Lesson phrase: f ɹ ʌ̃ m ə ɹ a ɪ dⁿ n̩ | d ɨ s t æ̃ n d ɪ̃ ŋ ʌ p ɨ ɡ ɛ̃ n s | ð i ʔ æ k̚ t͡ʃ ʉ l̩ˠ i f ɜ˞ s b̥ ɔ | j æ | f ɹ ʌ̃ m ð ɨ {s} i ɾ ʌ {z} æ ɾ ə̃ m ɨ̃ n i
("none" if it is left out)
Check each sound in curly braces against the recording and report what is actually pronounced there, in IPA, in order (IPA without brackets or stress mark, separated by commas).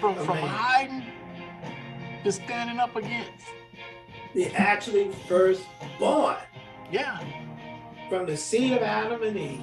s, v